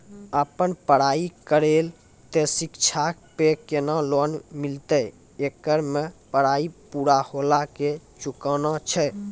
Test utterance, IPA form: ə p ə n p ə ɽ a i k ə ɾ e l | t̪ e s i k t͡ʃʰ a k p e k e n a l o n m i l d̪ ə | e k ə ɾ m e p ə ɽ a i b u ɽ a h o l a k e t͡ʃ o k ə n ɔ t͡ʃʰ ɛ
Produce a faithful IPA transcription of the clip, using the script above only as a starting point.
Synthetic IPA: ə p ə n p ə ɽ a i k ə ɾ e l | t̪ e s i k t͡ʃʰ a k p e k e n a l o n m i l t̪ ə | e k ə ɾ m e p ə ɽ a i p u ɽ a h o l a k e t͡ʃ u k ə n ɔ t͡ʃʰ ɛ